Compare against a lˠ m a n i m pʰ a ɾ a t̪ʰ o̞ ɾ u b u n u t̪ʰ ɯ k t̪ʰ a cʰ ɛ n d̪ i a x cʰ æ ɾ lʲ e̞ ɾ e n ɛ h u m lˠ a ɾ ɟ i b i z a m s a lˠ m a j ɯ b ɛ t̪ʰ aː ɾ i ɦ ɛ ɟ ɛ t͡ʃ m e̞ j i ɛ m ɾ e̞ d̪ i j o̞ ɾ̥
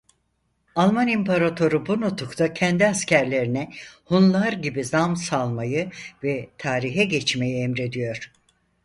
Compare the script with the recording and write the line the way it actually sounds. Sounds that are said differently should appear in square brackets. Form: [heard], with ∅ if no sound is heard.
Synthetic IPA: a lˠ m a n i m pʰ a ɾ a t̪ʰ o̞ ɾ u b u n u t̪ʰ [u] k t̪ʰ a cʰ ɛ n d̪ i a [s] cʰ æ ɾ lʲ e̞ ɾ [i] n ɛ h u [n] lˠ a ɾ ɟ i b i z a m s a lˠ m a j ɯ [v] ɛ t̪ʰ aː ɾ i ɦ ɛ ɟ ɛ t͡ʃ m e̞ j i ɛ m ɾ e̞ d̪ i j o̞ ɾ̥